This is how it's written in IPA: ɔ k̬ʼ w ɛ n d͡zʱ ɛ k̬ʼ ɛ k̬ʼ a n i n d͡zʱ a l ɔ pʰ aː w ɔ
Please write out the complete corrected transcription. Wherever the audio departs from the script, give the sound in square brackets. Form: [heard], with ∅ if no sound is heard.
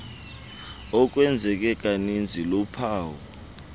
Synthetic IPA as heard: ɔ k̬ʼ w ɛ n d͡zʱ ɛ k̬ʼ ɛ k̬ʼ a n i n d͡zʱ [i] l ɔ pʰ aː w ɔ

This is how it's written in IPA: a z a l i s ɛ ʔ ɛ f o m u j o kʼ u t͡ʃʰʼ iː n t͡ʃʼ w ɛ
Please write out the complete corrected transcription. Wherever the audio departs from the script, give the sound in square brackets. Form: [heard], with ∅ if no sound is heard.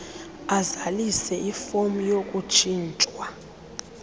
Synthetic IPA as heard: a z a l i s ɛ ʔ [i] f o m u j o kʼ u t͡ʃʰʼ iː n t͡ʃʼ w [a]

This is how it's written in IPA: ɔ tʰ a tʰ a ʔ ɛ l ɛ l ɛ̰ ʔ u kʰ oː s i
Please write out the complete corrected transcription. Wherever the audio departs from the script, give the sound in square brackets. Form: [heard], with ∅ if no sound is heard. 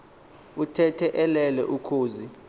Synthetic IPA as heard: [u] tʰ [ɛ] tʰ [ɛ] ʔ ɛ l ɛ l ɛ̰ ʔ u kʰ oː [z] i

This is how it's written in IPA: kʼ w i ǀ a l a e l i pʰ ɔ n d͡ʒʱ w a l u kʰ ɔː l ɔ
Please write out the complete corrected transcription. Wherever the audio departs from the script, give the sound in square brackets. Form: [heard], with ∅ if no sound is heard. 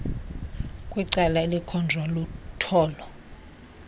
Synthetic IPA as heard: kʼ w i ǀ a l a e l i [kʰ] ɔ n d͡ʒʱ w a l u [tʰ] ɔː l ɔ

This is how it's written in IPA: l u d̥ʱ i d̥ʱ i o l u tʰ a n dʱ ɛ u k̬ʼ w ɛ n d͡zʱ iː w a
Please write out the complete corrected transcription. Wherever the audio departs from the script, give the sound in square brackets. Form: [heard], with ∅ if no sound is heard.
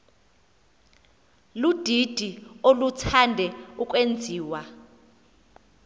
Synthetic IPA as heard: l u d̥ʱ i d̥ʱ i o l u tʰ a n dʱ ɛ u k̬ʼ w [e] n d͡zʱ iː w a

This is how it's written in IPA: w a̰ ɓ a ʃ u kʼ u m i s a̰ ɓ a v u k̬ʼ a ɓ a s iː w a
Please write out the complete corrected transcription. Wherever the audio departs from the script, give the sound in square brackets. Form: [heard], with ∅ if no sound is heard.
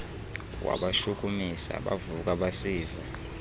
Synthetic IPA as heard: w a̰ ɓ a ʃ u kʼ u m i s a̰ ɓ a v u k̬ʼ a ɓ a s iː [v] a

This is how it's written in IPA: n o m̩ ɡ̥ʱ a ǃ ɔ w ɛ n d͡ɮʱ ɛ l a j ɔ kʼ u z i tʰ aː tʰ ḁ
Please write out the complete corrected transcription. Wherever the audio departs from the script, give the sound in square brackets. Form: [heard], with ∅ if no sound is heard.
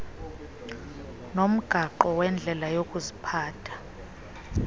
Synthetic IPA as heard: n o m̩ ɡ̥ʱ a ǃ ɔ w ɛ n d͡ɮʱ ɛ l a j [o] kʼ u z i [pʰ] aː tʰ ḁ

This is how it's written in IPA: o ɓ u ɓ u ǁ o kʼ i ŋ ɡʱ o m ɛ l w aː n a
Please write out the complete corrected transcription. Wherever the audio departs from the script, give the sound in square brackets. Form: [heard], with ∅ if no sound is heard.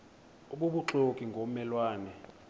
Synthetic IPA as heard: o ɓ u ɓ u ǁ o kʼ i ŋ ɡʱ o m ɛ l w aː n [ɛ]

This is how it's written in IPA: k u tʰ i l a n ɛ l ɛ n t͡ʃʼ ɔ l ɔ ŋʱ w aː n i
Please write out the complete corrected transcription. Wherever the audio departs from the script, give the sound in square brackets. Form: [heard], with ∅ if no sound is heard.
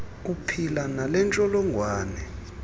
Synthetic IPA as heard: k u [pʰ] i l a n [a] l ɛ n t͡ʃʼ ɔ l ɔ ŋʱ w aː n [ɛ]

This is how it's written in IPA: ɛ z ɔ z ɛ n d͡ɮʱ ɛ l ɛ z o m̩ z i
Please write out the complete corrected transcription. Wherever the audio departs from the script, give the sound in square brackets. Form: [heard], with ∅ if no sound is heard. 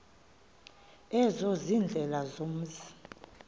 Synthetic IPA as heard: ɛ z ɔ z [i] n d͡ɮʱ ɛ l [a] z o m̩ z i

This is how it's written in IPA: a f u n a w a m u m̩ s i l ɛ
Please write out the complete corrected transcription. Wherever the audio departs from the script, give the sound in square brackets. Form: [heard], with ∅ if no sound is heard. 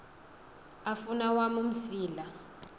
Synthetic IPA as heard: a f u n a w a m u m̩ s [iː] l [a]

